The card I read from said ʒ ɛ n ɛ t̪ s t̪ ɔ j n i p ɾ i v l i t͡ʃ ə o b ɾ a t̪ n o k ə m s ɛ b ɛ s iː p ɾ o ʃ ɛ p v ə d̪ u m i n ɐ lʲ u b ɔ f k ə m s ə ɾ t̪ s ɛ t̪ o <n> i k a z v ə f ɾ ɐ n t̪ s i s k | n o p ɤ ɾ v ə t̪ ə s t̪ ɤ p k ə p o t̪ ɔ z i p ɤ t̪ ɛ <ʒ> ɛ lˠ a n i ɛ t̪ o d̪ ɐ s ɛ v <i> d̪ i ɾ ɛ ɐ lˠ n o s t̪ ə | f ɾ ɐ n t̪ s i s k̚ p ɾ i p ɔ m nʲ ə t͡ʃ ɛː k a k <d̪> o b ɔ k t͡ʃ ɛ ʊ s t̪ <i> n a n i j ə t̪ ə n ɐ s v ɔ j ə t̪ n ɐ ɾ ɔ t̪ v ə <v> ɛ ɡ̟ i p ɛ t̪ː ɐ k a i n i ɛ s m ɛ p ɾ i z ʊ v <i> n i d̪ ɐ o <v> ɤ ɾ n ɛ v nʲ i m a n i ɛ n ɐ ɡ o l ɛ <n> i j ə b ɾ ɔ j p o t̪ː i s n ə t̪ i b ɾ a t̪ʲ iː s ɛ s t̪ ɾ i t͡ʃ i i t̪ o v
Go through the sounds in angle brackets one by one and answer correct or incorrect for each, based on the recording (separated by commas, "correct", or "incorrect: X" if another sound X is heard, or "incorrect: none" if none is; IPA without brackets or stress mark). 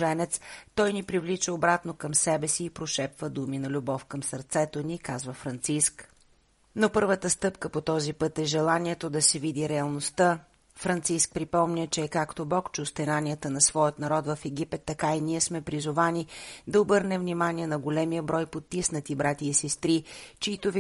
correct, correct, correct, incorrect: t̪, incorrect: ɛ, incorrect: f, incorrect: a, incorrect: b, incorrect: m